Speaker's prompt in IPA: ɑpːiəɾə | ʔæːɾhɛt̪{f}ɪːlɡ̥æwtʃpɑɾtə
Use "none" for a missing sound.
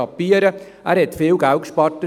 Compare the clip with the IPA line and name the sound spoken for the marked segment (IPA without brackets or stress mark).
f